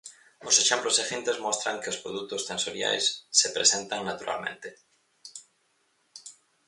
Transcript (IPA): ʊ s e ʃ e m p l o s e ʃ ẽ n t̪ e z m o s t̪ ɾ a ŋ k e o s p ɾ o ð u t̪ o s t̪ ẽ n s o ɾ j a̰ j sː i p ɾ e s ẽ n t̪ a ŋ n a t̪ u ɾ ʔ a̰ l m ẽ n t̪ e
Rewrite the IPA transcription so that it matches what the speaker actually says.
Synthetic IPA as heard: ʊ s e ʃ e m p l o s e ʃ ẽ n t̪ e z m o s t̪ ɾ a ŋ k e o s p ɾ o ð u t̪ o s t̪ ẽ n s o ɾ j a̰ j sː e p ɾ e s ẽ n t̪ a ŋ n a t̪ u ɾ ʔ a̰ l m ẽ n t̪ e